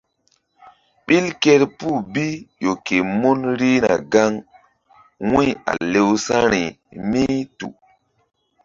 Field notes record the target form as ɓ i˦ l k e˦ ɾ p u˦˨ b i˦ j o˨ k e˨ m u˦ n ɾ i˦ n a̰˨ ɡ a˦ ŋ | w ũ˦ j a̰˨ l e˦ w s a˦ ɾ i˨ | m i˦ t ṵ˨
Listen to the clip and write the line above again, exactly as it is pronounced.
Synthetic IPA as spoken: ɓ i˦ l k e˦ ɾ p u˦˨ b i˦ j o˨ k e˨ m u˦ n ɾ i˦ n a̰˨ ɡ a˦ ŋ | w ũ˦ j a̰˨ l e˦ w s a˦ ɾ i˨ | m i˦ t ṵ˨